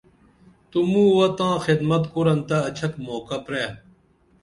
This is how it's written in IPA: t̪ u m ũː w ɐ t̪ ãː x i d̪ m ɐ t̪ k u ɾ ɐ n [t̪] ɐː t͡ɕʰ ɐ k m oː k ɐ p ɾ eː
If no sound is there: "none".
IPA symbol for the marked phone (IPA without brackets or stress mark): t̪